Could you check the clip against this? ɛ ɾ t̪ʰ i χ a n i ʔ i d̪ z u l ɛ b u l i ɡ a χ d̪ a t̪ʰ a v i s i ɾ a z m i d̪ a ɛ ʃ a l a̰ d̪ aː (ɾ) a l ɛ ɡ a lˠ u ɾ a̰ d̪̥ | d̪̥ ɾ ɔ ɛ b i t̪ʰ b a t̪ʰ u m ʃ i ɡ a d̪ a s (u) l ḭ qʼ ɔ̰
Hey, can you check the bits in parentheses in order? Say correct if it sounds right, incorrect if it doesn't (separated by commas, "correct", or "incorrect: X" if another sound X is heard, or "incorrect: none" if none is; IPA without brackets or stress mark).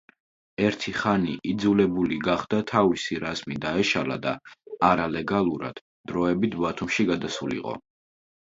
correct, correct